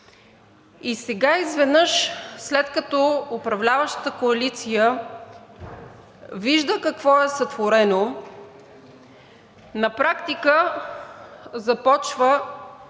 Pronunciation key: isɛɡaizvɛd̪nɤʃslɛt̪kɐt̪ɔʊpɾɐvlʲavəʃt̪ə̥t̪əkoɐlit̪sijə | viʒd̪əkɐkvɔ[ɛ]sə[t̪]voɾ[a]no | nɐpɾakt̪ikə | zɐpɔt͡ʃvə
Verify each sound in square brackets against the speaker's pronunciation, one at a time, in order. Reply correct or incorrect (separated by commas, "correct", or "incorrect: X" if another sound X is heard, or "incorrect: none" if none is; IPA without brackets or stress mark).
correct, correct, incorrect: ɛ